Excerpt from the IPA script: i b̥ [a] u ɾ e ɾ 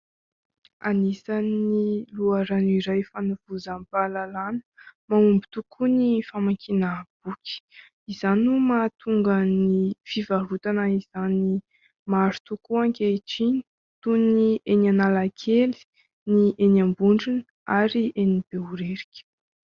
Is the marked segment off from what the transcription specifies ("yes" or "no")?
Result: yes